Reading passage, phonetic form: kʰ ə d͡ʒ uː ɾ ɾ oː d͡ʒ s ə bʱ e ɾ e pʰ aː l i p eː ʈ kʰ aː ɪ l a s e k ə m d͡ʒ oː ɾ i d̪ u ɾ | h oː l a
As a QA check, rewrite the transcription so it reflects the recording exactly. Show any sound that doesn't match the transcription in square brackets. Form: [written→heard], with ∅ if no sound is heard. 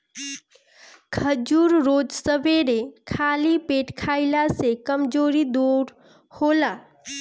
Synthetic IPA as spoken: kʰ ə d͡ʒ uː ɾ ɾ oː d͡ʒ s ə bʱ e ɾ e [pʰ→kʰ] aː l i p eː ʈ kʰ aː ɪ l a s e k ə m d͡ʒ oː ɾ i d̪ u ɾ | h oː l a